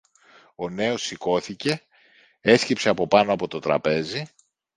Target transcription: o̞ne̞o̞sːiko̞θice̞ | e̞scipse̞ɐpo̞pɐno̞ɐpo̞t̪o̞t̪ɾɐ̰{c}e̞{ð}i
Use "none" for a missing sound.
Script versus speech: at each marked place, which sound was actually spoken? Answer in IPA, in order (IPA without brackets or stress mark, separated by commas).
p, z